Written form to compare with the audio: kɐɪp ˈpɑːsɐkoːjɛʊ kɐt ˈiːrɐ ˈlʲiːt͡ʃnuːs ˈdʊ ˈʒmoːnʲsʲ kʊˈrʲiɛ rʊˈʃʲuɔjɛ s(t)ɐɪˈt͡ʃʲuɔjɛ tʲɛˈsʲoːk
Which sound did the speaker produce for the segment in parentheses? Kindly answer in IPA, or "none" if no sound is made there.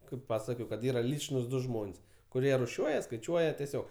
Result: k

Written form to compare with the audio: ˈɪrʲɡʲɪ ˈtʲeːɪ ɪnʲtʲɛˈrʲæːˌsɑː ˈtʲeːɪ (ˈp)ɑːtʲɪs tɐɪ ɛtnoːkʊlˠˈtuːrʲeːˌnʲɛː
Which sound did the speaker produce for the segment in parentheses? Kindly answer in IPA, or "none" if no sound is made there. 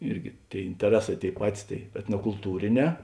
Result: p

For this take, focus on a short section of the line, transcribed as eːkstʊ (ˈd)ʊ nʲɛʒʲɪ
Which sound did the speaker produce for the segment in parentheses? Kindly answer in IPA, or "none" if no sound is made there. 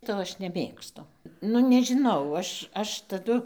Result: n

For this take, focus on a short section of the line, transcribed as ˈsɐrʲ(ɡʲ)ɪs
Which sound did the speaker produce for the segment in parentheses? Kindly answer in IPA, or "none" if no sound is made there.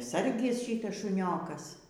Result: ɡʲ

